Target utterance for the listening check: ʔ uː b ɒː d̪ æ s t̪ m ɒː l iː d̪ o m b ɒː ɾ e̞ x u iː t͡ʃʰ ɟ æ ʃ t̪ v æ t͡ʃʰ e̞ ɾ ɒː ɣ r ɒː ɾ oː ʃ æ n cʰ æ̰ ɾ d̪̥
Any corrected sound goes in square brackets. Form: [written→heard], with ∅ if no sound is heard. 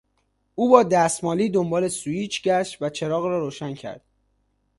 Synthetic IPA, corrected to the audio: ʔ uː b ɒː d̪ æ s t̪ m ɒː l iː d̪ o m b ɒː [ɾ→l] e̞ [x→s] u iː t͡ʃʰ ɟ æ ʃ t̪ v æ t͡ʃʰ e̞ ɾ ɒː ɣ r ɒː ɾ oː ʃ æ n cʰ æ̰ ɾ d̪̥